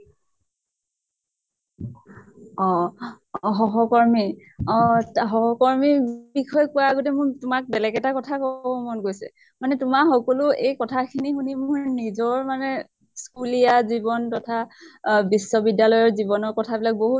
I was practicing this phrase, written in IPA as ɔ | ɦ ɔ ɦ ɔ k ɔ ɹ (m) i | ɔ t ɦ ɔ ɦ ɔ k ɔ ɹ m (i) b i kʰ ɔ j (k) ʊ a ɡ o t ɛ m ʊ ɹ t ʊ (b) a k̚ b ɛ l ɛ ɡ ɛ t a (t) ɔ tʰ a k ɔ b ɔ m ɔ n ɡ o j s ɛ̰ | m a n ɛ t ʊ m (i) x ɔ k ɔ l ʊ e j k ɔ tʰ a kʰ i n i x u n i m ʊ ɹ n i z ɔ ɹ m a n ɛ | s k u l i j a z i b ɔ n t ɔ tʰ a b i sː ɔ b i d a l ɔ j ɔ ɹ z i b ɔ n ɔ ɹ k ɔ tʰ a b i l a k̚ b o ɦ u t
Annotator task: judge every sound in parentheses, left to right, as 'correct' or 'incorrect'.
correct, correct, correct, incorrect: m, incorrect: k, incorrect: a

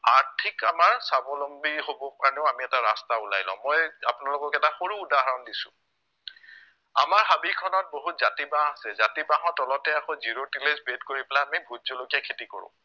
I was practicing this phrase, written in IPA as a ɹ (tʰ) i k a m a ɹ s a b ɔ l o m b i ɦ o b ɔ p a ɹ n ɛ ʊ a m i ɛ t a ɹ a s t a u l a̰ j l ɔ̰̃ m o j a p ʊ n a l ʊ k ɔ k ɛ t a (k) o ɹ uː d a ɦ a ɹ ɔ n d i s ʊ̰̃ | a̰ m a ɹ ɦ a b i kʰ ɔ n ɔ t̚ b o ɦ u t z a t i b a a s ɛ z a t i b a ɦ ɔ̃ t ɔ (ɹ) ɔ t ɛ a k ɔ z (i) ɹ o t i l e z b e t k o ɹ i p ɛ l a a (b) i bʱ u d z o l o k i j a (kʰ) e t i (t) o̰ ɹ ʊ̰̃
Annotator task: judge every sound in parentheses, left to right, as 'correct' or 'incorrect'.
correct, incorrect: x, incorrect: l, correct, incorrect: m, correct, incorrect: k

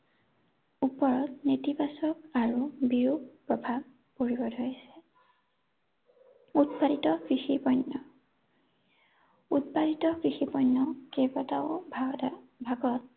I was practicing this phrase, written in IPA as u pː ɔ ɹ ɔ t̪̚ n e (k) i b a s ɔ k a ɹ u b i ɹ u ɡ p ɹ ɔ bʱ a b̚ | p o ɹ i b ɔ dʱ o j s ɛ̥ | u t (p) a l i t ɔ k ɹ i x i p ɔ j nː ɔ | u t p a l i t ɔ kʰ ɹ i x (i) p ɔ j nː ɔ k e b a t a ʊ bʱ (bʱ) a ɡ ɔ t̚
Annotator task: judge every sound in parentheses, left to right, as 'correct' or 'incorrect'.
incorrect: t, correct, correct, correct

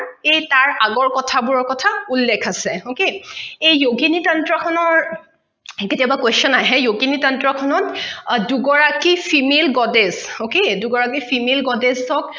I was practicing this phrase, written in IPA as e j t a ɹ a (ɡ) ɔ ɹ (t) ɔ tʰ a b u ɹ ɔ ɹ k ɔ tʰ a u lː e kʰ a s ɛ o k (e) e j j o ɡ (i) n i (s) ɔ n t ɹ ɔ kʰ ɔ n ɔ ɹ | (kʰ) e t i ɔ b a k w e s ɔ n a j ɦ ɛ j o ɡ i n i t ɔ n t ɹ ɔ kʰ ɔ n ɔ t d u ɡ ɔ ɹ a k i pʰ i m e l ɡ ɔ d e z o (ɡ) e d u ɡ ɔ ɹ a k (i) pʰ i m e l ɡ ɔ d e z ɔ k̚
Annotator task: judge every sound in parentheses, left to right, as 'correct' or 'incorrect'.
correct, incorrect: k, correct, correct, incorrect: t, incorrect: k, incorrect: k, correct

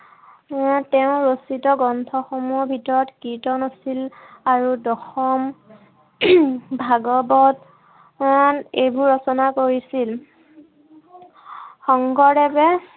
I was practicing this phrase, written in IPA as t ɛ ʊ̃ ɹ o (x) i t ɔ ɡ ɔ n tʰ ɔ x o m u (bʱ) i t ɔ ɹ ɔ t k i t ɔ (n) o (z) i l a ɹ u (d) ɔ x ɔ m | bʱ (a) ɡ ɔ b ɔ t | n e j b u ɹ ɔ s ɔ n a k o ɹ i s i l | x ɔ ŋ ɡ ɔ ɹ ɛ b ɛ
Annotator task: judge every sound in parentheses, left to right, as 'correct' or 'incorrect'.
incorrect: s, correct, correct, incorrect: s, correct, correct

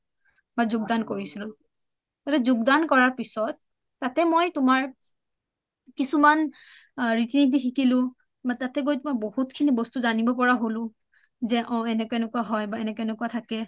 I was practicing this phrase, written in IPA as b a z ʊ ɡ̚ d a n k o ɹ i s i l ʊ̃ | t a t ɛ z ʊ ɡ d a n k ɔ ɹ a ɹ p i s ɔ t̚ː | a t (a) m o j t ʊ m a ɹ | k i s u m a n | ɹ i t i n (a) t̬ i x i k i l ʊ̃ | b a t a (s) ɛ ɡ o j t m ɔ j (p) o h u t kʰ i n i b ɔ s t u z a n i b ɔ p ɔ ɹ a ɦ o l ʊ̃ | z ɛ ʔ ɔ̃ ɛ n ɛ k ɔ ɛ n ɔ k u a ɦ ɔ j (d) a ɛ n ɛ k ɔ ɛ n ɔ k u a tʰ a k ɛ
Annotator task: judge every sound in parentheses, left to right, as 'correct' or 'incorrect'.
incorrect: ɛ, incorrect: i, incorrect: t, incorrect: b, incorrect: b

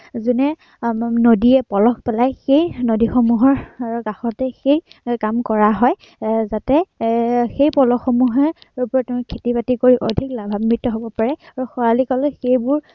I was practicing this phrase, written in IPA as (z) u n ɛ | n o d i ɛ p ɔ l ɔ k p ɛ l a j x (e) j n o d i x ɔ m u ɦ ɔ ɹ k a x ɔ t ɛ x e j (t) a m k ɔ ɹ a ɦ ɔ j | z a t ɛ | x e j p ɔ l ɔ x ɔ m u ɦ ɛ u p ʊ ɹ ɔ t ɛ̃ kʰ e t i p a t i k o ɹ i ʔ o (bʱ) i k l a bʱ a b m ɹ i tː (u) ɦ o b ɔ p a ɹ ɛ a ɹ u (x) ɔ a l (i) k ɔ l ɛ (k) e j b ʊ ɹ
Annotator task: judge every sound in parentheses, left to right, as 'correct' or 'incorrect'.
correct, correct, incorrect: k, incorrect: dʱ, incorrect: ɔ, correct, correct, incorrect: x

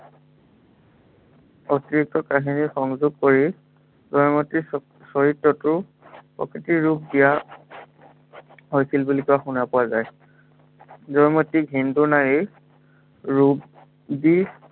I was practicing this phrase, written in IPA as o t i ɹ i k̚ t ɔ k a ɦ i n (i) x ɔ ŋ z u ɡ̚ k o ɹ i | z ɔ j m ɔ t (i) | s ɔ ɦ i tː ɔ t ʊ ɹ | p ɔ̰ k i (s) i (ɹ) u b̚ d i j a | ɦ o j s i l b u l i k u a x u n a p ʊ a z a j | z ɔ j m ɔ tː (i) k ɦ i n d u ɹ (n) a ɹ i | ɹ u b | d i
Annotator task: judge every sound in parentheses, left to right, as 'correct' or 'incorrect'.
correct, correct, incorrect: t, correct, correct, correct

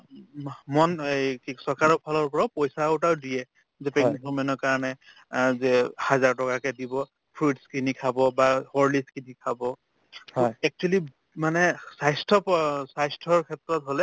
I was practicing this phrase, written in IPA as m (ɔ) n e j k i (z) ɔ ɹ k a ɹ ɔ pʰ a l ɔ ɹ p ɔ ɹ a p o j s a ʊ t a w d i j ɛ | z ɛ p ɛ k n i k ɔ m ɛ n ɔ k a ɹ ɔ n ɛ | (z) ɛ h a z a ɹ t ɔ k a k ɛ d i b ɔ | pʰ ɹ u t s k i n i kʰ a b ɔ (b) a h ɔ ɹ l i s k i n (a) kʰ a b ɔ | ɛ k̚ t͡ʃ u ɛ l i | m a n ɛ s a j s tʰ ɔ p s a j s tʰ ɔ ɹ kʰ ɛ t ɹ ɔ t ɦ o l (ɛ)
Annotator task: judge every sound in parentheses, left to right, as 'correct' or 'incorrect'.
correct, incorrect: s, correct, correct, incorrect: i, correct

